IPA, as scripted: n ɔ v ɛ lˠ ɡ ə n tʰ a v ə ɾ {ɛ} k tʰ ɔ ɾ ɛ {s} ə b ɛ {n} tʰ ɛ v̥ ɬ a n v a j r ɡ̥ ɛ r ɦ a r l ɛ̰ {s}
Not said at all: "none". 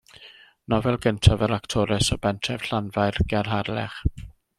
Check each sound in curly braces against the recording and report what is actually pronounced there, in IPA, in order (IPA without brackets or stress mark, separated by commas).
a, s, n, χ